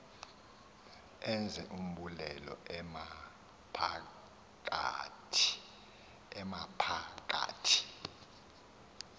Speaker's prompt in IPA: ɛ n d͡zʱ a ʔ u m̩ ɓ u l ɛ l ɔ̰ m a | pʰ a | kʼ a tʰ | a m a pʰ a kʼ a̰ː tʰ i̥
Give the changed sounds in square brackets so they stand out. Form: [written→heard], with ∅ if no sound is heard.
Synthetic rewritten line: ɛ n d͡zʱ [a→ɛ] ʔ u m̩ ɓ u l ɛ l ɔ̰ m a | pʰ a | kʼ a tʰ | [a→ɛ] m a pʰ a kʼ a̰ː tʰ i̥

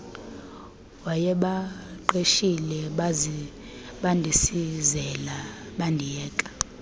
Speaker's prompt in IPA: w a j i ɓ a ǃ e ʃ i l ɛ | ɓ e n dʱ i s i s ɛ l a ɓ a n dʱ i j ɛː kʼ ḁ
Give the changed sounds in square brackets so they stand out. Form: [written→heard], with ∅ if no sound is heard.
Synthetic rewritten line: w a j [i→ɛ] ɓ a ǃ e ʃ i l ɛ | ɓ [e→a] n dʱ i s i [s→z] ɛ l a ɓ a n dʱ i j ɛː kʼ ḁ

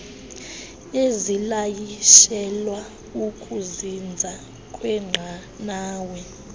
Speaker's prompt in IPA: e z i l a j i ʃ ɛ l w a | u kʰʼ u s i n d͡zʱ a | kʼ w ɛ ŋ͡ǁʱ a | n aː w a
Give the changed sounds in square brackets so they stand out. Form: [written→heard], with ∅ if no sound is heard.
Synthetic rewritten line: e z i l a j i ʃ ɛ l w a | u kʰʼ u [s→z] i n d͡zʱ a | kʼ w ɛ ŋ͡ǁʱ a | n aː w [a→ɛ]

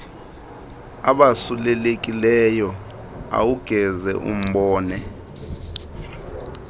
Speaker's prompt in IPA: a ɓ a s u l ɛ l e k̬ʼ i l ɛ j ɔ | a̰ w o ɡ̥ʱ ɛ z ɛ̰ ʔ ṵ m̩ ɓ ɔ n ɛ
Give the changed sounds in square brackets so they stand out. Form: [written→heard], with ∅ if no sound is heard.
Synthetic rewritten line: a ɓ a s u l ɛ l e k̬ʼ i l ɛ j ɔ | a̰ w [o→u] ɡ̥ʱ ɛ z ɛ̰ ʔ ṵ m̩ ɓ [ɔ→ɔː] n ɛ

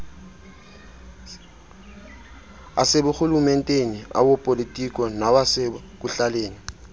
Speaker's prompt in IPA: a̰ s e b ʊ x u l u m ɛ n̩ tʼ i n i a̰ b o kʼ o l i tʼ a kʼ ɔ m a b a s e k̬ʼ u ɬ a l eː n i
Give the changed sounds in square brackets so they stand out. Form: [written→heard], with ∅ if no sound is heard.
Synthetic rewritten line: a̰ s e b ʊ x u l u m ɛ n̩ tʼ [i→e] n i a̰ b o [kʼ→pʼ] o l i tʼ [a→i] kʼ ɔ [m→n] a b a s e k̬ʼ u ɬ a l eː n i

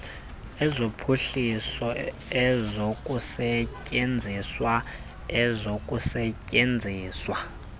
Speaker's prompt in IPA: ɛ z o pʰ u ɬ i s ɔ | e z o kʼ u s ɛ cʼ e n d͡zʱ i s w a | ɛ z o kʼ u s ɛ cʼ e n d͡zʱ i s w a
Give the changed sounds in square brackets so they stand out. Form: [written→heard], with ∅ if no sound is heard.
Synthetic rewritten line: ɛ z o pʰ u ɬ i s ɔ | [e→ɛ] z o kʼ u s ɛ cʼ e n d͡zʱ i s w a | ɛ z o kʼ u s ɛ cʼ e n d͡zʱ [i→iː] s w a

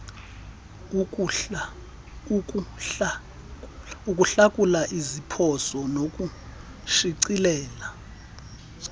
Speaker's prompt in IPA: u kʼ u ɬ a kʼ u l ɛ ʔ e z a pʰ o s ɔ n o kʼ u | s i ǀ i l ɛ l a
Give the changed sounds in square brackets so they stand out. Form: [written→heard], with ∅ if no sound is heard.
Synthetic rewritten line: u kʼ u ɬ a kʼ u l [ɛ→a] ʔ [e→i] z [a→i] pʰ [o→ɔ] s ɔ n o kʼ u | [s→ʃ] i ǀ i l [ɛ→ɛː] l a

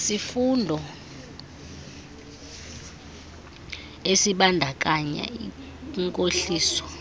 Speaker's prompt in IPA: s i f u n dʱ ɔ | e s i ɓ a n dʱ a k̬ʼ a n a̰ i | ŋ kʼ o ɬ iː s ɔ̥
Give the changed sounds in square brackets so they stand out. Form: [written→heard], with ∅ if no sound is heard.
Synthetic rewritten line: s i f u n dʱ ɔ | e s i ɓ a n dʱ a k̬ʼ a [n→ɲ] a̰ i | ŋ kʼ o ɬ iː s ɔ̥

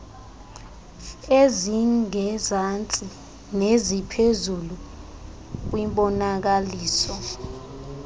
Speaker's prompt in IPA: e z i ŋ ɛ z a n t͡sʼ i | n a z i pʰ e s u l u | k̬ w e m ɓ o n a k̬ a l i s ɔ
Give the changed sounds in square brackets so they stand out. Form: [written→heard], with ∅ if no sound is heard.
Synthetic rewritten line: e z i ŋ ɛ z a n t͡sʼ i | n [a→e] z i pʰ e [s→z] u l u | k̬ w [e→i] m ɓ [o→ɔ] n a k̬ a l [i→iː] s ɔ

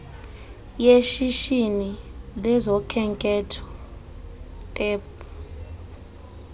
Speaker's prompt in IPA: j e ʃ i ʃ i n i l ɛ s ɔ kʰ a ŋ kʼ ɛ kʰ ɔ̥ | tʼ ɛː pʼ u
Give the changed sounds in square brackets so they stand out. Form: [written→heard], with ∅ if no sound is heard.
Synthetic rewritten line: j e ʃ i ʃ i n i l ɛ [s→z] ɔ kʰ [a→ɛ] ŋ kʼ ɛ [kʰ→tʰ] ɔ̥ | tʼ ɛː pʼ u

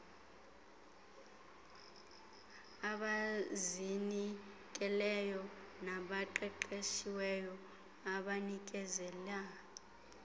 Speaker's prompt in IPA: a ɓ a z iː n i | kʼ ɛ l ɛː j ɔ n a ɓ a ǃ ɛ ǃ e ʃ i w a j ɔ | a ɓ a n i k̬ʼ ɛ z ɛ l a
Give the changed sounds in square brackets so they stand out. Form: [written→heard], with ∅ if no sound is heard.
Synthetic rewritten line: a ɓ a z [iː→i] n i | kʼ ɛ l [ɛː→ɛ] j ɔ n a ɓ a ǃ ɛ ǃ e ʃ i w [a→ɛ] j ɔ | a ɓ a n i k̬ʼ ɛ z ɛ l a

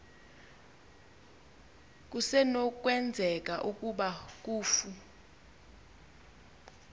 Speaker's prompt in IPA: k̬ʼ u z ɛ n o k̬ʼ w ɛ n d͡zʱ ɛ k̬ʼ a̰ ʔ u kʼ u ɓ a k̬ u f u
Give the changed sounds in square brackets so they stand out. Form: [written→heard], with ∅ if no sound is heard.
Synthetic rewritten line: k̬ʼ u [z→s] ɛ n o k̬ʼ w ɛ n d͡zʱ ɛ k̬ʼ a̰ ʔ u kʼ u ɓ a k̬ [u→uː] f u

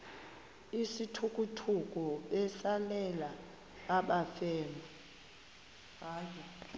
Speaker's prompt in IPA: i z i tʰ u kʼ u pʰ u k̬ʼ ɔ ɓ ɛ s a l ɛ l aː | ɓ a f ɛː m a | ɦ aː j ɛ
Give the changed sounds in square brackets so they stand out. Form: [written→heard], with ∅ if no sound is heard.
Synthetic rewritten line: i [z→s] i tʰ u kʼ u [pʰ→tʰ] u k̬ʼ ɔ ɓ ɛ s a l ɛ l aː | ɓ a f ɛː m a | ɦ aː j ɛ

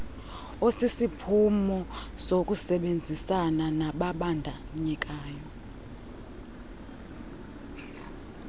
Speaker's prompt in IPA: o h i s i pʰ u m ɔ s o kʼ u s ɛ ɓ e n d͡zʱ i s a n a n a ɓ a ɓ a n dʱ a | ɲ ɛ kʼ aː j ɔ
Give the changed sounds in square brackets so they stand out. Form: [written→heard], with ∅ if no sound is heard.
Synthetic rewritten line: o [h→s] i s i pʰ u m ɔ s o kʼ u s ɛ ɓ e n d͡zʱ i s a n a n a ɓ a ɓ a n dʱ a | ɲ ɛ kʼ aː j ɔ

